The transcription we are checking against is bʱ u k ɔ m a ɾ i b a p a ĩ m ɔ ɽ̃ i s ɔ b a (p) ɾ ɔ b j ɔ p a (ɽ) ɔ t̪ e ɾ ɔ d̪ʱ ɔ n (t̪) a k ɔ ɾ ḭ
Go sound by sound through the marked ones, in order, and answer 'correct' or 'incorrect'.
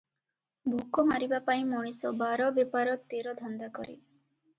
incorrect, incorrect, incorrect

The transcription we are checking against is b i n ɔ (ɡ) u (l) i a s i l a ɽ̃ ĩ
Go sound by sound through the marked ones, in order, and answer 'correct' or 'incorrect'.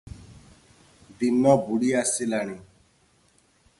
incorrect, incorrect

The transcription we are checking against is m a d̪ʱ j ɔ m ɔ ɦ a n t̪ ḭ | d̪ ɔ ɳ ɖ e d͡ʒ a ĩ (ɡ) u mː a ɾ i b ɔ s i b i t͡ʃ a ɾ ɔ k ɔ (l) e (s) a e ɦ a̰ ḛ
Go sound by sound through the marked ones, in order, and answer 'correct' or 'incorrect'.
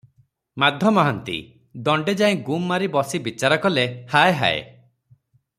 correct, correct, incorrect

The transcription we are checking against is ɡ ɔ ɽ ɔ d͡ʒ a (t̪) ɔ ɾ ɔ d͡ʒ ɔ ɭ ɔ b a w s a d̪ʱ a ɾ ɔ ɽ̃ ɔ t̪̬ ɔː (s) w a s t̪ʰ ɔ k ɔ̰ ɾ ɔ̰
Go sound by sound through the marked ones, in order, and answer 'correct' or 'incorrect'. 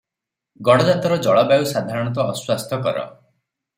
correct, correct

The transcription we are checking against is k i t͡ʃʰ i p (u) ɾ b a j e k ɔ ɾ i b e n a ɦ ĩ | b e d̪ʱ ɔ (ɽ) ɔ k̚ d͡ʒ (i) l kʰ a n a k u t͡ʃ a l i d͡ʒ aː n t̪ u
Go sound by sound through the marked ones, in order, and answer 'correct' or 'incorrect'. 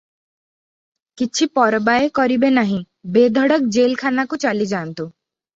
incorrect, correct, incorrect

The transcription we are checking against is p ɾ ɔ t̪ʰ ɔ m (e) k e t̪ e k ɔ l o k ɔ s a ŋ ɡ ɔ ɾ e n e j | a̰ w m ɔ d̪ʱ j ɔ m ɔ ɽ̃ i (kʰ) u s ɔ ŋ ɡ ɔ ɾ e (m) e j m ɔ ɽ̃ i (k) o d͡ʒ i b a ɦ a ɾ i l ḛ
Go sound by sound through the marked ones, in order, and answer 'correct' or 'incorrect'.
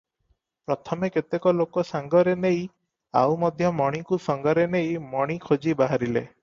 correct, incorrect, incorrect, incorrect

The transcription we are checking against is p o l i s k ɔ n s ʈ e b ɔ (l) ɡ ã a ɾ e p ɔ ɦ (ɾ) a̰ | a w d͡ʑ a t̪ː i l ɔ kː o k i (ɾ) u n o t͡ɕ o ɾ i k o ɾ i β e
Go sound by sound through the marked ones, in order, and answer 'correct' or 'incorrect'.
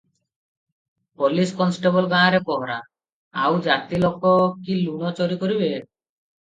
correct, correct, incorrect

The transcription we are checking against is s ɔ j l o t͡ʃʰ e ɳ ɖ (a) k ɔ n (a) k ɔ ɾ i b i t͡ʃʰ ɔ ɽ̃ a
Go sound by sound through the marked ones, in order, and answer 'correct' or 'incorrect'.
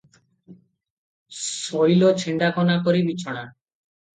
correct, correct

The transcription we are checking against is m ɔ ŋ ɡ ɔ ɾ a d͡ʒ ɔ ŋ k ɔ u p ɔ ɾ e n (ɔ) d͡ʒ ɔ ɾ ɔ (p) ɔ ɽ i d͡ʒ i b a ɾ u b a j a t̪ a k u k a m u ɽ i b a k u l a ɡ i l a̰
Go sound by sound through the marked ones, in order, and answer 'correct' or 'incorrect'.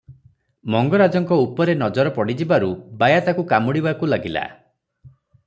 correct, correct

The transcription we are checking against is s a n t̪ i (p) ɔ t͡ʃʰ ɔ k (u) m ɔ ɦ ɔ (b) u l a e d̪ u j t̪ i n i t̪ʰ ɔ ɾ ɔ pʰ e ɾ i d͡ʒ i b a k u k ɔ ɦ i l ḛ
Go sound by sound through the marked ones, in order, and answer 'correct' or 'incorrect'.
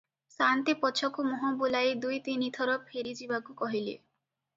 correct, correct, correct

